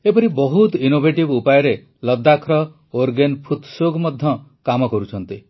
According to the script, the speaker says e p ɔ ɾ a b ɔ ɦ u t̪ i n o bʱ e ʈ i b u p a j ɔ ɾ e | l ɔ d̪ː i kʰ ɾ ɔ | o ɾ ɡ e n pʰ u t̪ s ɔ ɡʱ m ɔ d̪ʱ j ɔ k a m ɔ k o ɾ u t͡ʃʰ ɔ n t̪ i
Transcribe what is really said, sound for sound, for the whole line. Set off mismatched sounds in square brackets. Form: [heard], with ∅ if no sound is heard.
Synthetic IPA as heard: e p ɔ ɾ [i] b ɔ ɦ u t̪ i n o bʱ e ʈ i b u p a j ɔ ɾ e | l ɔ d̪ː [a] kʰ ɾ ɔ | o ɾ ɡ e n pʰ u t̪ s [o] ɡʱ m ɔ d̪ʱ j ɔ k a m ɔ k [ɔ] ɾ u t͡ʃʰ ɔ n t̪ i